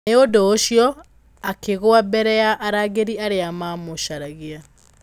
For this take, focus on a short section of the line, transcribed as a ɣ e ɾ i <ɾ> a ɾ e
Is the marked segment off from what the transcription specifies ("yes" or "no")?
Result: yes